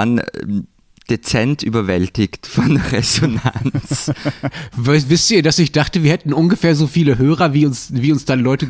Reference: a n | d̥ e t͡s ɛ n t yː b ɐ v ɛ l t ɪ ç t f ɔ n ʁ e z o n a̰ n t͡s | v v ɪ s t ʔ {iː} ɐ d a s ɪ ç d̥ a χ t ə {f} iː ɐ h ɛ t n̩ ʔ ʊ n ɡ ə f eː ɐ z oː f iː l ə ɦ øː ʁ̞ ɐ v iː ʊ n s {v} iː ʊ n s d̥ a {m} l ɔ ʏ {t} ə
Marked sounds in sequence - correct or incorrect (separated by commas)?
correct, incorrect, correct, incorrect, correct